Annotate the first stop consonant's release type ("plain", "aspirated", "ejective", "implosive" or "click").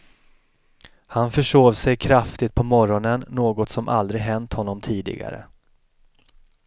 aspirated